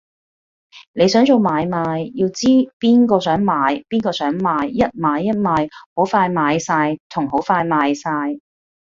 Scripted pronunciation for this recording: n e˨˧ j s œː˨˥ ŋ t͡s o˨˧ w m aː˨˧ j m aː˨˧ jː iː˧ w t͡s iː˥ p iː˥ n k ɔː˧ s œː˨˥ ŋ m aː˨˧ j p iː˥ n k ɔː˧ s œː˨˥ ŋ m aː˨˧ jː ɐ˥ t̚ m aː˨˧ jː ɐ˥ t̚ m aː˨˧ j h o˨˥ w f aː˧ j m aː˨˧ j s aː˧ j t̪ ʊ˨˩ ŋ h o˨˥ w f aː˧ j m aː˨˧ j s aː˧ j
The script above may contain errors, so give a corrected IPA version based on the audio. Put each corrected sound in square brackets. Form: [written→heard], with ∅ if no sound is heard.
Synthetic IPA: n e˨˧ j s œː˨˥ ŋ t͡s o˨˧ w m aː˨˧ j m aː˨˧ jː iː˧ w t͡s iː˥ p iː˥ n k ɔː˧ s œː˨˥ ŋ m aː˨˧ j p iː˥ n k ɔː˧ s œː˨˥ ŋ m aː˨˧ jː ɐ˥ t̚ m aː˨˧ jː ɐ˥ t̚ m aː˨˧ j h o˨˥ w f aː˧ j m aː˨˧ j s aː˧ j [t̪→t̪ʰ] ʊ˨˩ ŋ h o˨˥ w f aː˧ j m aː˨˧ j s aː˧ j